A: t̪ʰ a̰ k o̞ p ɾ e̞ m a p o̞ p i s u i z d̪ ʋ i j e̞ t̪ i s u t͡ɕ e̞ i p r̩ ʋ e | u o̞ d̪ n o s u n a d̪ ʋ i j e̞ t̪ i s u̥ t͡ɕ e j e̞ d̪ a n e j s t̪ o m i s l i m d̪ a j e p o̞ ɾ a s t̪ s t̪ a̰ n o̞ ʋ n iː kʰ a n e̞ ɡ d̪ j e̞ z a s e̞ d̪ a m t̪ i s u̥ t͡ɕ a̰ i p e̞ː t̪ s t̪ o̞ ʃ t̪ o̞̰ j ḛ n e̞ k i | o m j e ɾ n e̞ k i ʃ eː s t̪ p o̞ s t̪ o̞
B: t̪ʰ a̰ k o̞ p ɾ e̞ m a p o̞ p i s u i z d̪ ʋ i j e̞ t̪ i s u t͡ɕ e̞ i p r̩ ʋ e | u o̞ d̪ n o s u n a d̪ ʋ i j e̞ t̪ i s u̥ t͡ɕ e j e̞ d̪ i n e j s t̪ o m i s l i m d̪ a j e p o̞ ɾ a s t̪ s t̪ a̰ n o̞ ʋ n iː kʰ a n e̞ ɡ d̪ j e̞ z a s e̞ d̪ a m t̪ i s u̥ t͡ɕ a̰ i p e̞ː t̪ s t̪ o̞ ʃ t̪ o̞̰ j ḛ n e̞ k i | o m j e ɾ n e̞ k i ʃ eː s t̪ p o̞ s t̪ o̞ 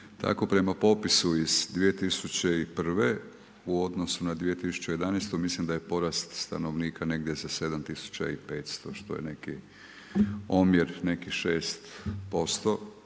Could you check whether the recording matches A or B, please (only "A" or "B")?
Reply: A